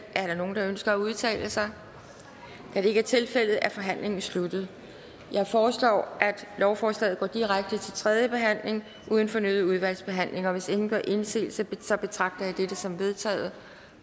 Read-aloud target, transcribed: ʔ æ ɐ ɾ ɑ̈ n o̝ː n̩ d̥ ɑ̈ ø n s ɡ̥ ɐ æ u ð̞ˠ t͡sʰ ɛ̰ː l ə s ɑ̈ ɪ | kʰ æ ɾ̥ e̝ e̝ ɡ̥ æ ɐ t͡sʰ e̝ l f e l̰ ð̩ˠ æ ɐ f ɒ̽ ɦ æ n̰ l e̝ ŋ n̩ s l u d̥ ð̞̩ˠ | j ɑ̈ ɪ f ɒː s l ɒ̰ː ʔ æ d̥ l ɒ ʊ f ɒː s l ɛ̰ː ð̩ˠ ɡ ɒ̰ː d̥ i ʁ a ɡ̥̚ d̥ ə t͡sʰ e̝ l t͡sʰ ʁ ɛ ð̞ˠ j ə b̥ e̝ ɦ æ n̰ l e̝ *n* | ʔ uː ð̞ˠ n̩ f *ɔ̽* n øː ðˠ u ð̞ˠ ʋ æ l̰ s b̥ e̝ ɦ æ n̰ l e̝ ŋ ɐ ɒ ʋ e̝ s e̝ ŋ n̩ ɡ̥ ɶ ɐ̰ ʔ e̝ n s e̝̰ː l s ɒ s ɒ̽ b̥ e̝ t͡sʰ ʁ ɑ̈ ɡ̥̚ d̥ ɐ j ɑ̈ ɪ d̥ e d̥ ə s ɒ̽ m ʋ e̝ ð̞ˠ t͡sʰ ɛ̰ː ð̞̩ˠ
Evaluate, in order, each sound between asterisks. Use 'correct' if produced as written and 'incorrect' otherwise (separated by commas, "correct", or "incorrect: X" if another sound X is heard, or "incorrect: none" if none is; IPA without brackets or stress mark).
incorrect: ŋ, incorrect: ɒ̽